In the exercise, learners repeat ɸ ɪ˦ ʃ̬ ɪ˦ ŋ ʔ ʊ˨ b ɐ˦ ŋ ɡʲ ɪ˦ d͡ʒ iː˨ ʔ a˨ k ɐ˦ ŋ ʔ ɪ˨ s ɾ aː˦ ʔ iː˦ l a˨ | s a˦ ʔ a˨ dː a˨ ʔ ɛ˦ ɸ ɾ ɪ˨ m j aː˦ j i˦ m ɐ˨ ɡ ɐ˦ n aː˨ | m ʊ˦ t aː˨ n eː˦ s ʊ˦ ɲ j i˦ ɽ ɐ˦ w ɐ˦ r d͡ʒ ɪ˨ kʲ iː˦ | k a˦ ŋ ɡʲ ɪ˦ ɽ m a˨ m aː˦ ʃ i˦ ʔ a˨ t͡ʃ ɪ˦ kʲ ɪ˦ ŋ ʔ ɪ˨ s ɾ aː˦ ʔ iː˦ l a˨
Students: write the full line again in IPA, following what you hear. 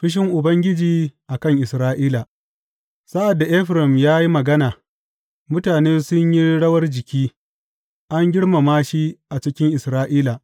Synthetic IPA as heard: ɸ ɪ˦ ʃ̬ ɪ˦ ŋ ʔ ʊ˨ b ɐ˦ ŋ ɡʲ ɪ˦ d͡ʒ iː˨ ʔ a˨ k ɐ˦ ŋ ʔ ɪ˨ s ɾ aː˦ ʔ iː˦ l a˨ | s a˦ ʔ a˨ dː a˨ ʔ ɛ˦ ɸ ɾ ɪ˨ m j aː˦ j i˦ m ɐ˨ ɡ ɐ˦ n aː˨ | m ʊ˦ t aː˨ n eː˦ s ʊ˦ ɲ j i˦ ɽ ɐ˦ w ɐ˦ r d͡ʒ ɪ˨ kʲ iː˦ | ʔ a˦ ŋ ɡʲ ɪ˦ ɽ m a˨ m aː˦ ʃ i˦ ʔ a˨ t͡ʃ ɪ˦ kʲ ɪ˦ ŋ ʔ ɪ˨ s ɾ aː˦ ʔ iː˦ l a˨